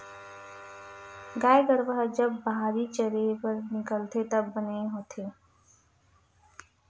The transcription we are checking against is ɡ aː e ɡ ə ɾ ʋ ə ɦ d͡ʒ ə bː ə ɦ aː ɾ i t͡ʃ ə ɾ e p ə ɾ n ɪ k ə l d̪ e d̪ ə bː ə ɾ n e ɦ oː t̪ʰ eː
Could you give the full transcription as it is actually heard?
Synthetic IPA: ɡ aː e ɡ ə ɾ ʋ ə ɦ d͡ʒ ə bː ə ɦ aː ɾ i t͡ʃ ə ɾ e p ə ɾ n ɪ k ə l t̪ e t̪ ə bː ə n e ɦ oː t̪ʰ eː